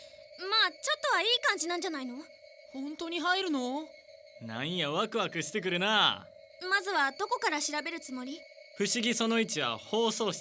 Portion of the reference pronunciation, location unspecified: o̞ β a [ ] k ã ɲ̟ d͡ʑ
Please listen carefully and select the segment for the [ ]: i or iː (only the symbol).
iː